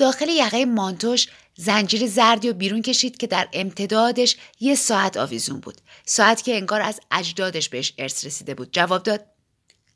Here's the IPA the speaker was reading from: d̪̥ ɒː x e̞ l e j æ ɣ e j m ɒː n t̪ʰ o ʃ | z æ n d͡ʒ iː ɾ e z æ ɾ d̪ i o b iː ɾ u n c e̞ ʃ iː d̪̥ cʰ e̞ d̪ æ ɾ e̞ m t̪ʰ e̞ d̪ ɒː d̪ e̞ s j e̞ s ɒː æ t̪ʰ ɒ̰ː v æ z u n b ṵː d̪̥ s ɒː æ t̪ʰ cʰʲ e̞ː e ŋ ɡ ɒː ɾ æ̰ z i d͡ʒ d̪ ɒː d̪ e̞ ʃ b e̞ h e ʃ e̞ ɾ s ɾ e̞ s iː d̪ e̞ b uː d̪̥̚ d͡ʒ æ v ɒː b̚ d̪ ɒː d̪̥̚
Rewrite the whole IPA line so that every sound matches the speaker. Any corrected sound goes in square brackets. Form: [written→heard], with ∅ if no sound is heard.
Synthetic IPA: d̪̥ ɒː x e̞ l e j æ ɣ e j m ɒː n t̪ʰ o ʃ | z æ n d͡ʒ iː ɾ e z æ ɾ d̪ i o b iː ɾ u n c e̞ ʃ iː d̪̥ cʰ e̞ d̪ æ ɾ e̞ m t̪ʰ e̞ d̪ ɒː d̪ e̞ [s→ʃ] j e̞ s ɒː æ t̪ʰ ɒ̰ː v [æ→i] z u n b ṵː d̪̥ s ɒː æ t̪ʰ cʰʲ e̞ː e ŋ ɡ ɒː ɾ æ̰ z [i→æ] d͡ʒ d̪ ɒː d̪ e̞ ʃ b e̞ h e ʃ e̞ ɾ s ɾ e̞ s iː d̪ e̞ b uː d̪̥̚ d͡ʒ æ v ɒː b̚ d̪ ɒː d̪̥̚